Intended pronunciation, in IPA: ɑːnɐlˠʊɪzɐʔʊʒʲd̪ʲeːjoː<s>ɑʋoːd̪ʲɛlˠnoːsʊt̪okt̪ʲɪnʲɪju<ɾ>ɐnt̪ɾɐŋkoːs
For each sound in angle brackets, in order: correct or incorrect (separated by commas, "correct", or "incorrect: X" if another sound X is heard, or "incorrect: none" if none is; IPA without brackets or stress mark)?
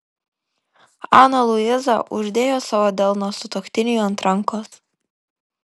correct, incorrect: none